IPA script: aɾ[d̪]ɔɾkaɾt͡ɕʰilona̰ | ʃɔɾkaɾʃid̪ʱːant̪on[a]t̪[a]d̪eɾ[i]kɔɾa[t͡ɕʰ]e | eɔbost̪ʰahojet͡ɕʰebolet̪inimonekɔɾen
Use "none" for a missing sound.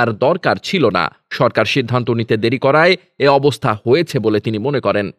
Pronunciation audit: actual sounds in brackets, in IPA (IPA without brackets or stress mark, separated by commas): d̪, i, e, i, none